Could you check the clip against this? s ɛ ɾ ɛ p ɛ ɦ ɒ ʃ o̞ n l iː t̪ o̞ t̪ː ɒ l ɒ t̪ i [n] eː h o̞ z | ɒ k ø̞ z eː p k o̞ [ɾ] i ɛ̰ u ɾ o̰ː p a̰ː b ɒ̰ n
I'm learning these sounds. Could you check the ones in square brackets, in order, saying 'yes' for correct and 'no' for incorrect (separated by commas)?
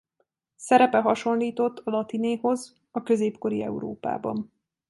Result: yes, yes